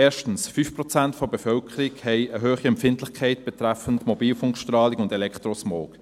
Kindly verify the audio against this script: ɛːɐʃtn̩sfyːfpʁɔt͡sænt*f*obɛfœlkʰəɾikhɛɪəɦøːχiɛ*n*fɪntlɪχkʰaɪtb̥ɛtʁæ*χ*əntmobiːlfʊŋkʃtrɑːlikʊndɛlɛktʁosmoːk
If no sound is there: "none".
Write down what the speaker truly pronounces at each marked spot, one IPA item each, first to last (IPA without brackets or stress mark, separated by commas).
f, m, f